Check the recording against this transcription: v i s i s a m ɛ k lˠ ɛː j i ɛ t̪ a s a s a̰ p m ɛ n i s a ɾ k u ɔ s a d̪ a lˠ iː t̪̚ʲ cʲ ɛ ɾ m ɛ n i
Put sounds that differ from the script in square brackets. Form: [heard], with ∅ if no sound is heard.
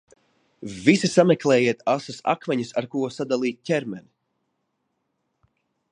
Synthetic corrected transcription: v i s i s a m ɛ k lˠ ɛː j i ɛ t̪ a s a s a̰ [k] m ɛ [ɲ] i s a ɾ k u ɔ s a d̪ a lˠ iː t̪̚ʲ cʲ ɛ ɾ m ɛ n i